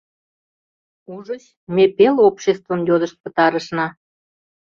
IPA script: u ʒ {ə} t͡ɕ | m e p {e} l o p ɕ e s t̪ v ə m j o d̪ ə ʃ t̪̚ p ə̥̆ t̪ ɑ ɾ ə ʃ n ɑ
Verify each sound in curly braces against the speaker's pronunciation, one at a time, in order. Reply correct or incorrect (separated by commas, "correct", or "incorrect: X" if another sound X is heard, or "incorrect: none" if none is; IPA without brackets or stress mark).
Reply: correct, correct